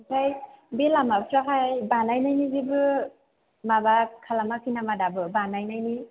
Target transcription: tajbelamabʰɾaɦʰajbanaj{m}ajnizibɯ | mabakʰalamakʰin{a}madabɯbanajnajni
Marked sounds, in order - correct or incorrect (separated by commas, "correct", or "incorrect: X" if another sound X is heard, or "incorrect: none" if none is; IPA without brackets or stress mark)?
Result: incorrect: n, correct